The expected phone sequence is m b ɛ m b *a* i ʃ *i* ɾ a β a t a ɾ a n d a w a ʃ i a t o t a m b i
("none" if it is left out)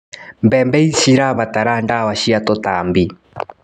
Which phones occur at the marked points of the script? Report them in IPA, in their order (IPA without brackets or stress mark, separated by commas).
ɛ, i